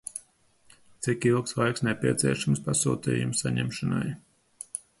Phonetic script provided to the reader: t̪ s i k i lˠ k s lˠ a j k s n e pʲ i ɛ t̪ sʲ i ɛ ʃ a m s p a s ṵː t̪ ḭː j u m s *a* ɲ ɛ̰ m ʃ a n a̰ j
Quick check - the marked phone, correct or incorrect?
correct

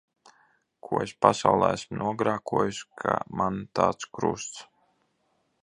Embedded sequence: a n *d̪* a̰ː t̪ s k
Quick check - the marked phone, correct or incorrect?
incorrect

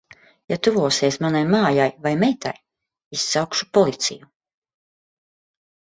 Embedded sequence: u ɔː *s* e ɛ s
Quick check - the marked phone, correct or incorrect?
correct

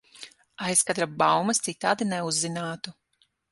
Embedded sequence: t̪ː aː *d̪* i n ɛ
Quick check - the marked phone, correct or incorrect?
correct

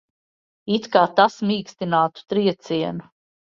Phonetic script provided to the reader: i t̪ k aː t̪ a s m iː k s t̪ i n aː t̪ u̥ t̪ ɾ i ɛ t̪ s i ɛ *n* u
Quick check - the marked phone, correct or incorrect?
correct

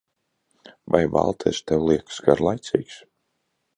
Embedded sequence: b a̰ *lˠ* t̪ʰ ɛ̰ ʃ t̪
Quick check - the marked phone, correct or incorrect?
correct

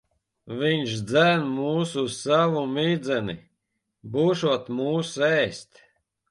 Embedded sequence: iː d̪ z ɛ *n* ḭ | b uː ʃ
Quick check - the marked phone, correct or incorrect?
correct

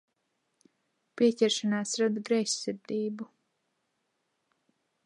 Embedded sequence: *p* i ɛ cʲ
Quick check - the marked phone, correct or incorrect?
correct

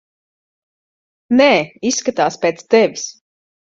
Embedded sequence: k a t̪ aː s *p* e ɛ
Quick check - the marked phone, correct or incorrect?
correct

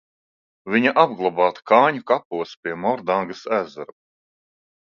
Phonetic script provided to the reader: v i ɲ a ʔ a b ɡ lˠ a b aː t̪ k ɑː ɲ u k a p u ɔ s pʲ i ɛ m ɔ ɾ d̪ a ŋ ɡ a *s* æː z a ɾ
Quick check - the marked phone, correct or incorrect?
correct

